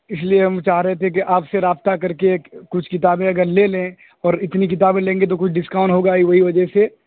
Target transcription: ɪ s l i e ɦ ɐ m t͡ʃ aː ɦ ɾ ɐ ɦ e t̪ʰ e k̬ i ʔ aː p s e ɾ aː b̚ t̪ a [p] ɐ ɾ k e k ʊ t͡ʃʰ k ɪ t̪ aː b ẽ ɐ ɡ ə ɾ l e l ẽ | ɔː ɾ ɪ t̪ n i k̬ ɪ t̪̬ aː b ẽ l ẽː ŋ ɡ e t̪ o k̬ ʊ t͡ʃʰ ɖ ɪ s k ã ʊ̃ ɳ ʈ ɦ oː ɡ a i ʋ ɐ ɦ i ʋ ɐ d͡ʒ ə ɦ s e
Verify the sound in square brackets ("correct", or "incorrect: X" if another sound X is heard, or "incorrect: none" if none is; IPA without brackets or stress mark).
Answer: incorrect: k